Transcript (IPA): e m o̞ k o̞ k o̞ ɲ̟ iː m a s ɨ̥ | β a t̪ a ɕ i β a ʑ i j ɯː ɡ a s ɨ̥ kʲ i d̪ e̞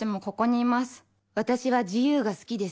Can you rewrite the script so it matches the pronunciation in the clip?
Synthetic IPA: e m o̞ k o̞ k o̞ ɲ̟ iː m a s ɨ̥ | β a t̪ a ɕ i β a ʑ i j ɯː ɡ a s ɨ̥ kʲ i d̪ e̞